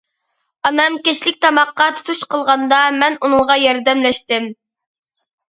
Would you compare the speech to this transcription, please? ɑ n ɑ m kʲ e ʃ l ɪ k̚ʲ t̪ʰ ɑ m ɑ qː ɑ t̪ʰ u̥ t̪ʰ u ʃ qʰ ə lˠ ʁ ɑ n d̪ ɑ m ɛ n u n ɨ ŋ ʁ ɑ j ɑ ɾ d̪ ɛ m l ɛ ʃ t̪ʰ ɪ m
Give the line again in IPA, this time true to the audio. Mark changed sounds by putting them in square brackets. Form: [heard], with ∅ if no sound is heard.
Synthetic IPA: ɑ n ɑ m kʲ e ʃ l ɪ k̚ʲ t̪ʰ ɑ m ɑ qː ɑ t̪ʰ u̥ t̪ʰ u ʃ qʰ ə lˠ ʁ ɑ n d̪ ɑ m ɛ n u n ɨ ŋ ʁ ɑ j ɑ ɾ d̪ ɛ m l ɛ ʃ [t̪] ɪ m